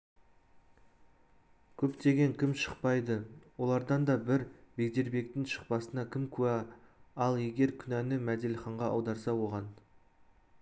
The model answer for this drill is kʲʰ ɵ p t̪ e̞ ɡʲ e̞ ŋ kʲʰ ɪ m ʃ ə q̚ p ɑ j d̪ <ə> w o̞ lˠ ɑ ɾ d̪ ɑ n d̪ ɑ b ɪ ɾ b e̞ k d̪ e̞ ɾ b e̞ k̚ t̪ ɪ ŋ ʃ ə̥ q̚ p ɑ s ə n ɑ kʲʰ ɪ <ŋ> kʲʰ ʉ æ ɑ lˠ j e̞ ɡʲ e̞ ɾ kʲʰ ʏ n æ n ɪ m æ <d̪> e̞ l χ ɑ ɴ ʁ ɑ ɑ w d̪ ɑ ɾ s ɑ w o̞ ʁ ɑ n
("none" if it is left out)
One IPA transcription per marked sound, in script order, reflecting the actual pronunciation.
ə, m, d̪

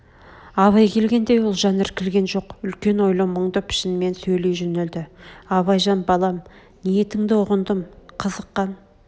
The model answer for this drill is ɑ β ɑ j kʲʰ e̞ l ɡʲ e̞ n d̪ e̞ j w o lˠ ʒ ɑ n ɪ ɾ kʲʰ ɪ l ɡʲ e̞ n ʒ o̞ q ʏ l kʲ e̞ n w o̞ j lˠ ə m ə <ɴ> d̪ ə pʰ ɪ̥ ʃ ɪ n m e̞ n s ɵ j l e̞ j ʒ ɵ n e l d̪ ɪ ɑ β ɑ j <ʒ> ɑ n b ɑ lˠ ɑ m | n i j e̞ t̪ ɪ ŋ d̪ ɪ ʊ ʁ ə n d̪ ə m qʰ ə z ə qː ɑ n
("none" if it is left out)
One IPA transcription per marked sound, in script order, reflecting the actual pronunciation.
ɴ, ʒ

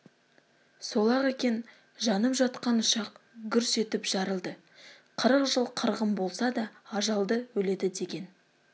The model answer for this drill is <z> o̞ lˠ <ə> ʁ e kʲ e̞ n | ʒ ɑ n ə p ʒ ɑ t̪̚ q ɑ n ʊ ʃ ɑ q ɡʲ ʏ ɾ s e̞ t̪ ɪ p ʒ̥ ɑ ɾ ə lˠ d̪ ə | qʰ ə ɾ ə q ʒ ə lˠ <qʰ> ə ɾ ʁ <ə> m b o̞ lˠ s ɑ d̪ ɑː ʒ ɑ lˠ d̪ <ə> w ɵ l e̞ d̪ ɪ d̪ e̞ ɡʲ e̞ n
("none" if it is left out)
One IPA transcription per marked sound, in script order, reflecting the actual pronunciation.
s, ɑ, qʰ, ə, ə

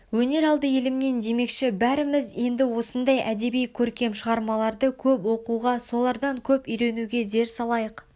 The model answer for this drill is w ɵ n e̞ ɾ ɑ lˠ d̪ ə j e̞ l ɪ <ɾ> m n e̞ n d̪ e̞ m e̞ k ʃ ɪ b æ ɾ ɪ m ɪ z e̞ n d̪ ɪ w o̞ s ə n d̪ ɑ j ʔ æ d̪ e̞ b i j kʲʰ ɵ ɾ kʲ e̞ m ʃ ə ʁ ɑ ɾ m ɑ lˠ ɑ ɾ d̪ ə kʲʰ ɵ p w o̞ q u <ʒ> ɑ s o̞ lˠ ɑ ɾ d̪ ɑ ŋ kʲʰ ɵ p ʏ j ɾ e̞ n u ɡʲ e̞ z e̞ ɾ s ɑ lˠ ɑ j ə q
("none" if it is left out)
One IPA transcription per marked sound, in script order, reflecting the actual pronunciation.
none, ʁ

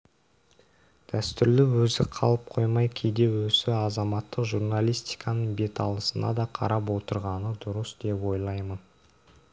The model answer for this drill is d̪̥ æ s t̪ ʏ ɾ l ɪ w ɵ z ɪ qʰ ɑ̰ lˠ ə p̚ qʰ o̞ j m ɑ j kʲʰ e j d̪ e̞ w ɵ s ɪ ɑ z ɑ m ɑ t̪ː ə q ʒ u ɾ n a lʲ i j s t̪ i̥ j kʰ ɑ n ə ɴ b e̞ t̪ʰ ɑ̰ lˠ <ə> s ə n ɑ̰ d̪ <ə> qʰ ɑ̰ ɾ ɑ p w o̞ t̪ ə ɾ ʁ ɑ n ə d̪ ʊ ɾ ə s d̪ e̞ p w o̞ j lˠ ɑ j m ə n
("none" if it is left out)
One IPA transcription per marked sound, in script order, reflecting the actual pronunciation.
ə, ɑ

